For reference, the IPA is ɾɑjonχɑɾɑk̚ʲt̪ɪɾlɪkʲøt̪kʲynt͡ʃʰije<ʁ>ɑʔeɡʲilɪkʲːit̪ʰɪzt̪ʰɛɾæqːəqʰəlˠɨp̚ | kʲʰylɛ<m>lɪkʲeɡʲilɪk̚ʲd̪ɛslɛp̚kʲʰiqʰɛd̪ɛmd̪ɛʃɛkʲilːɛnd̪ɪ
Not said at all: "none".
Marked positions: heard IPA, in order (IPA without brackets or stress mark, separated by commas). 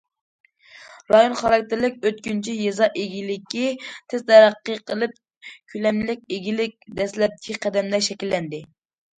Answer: z, m